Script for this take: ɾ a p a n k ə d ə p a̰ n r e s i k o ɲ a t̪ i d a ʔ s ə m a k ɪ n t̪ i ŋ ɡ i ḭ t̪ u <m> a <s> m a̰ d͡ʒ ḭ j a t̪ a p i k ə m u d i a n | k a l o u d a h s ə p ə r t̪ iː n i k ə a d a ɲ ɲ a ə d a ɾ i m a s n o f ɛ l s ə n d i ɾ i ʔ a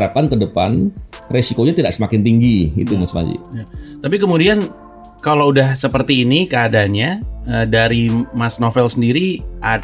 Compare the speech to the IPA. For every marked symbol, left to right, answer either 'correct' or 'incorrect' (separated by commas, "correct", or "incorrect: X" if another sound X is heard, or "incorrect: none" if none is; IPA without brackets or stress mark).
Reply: correct, correct